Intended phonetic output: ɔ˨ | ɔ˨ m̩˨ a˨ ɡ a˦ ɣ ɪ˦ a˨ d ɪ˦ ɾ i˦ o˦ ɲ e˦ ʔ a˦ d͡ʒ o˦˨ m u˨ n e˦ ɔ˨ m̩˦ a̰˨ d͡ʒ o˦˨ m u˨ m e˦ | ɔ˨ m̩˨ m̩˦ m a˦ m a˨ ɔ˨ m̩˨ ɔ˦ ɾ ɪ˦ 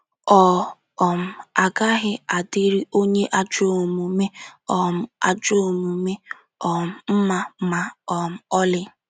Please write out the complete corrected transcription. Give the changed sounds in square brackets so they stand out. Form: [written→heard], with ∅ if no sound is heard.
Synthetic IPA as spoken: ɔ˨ | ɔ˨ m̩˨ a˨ ɡ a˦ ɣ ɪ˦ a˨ d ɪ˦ ɾ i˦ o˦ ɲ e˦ ʔ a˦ d͡ʒ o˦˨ m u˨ [n→m] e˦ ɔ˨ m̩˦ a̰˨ d͡ʒ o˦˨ m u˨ m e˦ | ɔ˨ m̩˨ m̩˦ m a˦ m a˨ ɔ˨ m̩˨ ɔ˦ [ɾ→l] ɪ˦